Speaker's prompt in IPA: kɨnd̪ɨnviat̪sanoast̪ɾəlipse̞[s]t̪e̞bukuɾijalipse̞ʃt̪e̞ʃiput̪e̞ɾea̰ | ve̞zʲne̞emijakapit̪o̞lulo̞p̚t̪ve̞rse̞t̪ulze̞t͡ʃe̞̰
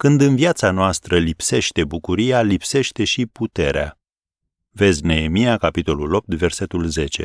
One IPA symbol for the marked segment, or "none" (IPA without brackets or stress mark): ʃ